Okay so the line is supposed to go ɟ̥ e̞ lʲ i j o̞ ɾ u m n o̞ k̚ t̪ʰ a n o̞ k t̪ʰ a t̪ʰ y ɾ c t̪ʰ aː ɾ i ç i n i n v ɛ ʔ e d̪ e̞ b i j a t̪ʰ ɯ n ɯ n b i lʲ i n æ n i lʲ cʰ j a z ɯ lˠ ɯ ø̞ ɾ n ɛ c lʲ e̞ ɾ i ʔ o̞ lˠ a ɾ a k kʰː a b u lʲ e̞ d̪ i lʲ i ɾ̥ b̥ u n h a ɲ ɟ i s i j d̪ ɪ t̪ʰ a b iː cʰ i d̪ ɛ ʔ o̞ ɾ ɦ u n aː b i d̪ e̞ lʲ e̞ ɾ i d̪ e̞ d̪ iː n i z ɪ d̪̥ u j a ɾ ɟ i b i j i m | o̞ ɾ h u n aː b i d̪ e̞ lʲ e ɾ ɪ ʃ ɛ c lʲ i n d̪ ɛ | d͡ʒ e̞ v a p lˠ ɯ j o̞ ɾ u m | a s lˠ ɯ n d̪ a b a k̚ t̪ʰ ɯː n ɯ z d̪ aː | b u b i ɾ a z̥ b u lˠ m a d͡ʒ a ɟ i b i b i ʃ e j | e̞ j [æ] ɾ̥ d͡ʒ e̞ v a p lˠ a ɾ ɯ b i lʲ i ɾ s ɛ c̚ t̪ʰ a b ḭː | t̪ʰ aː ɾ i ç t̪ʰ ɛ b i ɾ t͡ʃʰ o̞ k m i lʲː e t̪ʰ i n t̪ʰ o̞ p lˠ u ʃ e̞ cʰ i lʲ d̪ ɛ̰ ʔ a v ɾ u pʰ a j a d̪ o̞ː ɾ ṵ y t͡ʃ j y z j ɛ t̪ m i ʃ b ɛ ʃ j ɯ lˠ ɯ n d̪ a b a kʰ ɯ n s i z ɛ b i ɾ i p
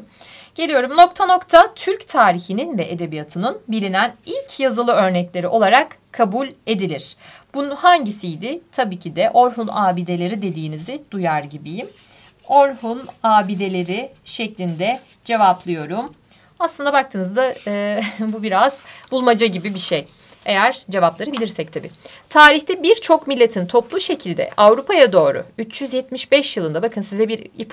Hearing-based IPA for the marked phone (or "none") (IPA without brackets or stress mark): æ